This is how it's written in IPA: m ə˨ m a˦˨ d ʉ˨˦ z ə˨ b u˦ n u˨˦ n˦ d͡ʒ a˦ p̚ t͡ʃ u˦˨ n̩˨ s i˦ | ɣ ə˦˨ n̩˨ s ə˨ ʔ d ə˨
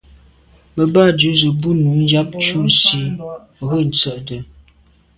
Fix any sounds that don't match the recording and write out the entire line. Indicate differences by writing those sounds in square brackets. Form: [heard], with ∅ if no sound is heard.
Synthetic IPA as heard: m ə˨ [b] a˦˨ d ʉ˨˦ z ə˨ b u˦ n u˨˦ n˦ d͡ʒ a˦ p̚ t͡ʃ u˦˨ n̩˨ s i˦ | ɣ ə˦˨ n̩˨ [t͡s] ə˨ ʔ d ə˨